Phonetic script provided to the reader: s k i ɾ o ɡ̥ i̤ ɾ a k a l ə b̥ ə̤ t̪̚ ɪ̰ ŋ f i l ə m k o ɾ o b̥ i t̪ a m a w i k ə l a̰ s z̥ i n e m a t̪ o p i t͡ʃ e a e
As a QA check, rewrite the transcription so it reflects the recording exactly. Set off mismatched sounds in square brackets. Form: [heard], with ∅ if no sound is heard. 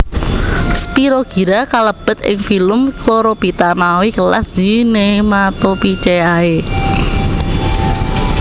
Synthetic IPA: s [p] i ɾ o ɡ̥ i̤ ɾ a k a l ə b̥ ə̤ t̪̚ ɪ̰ ŋ f i l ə m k o ɾ o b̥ i t̪ a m a w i k ə l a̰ s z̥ i n e m a t̪ o p i t͡ʃ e a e